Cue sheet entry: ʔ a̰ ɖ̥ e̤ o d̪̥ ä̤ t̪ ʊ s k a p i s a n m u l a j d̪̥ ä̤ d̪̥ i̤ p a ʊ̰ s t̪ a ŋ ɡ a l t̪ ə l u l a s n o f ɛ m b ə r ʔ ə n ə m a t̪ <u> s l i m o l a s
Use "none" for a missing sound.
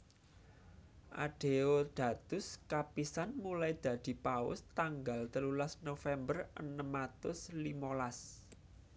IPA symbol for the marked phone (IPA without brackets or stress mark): ʊ